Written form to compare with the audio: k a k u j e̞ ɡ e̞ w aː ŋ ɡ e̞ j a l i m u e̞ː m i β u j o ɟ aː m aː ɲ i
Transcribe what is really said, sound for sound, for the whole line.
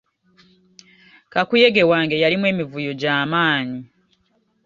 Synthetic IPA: k a k u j e̞ ɡ e̞ w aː ŋ ɡ e̞ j a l i m w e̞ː m i v u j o ɟ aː m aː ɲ i